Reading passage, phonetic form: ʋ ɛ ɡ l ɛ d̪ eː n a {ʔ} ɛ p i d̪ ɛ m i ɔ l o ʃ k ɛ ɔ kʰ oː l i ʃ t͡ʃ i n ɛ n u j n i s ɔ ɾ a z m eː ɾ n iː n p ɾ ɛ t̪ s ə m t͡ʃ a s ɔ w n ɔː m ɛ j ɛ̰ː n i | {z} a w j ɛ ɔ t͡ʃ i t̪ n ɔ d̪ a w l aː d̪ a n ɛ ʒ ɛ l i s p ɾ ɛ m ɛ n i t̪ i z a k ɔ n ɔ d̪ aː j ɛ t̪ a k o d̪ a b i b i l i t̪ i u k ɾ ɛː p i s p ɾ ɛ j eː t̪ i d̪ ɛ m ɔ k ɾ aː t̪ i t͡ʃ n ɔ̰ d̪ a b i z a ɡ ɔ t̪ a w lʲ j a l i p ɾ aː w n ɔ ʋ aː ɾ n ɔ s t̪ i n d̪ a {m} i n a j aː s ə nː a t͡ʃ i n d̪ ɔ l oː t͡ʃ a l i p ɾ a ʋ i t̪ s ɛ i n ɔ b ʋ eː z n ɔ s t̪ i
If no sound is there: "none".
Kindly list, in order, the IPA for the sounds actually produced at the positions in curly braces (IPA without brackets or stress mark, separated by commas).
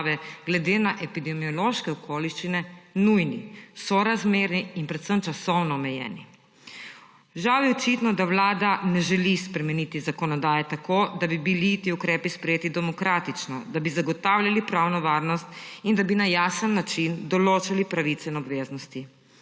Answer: ʔ, ʒ, b